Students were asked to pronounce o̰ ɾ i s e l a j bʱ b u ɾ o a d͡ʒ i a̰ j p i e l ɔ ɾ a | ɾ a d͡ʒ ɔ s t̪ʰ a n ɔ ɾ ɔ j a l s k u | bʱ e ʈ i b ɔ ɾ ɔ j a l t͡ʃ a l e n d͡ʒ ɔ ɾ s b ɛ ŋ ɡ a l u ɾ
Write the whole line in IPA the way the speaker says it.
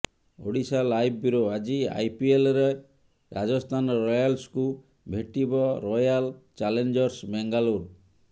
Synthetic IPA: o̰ ɽ i s a l a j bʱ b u ɾ o a d͡ʒ i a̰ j p i e l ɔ ɾ e | ɾ a d͡ʒ ɔ s t̪ʰ a n ɔ ɾ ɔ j a l s k u | bʱ e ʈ i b ɔ ɾ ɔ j a l t͡ʃ a l e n d͡ʒ ɔ ɾ s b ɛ ŋ ɡ a l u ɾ